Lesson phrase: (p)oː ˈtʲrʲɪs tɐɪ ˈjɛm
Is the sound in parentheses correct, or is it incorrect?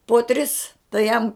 correct